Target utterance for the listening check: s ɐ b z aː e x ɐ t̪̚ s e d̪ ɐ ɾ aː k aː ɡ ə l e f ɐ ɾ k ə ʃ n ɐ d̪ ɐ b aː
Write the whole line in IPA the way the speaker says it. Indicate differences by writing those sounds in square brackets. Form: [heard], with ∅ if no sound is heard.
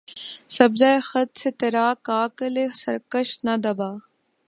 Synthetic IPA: s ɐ b z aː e x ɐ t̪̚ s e [t̪] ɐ ɾ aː k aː [k] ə l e [s] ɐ ɾ k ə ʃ n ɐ d̪ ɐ b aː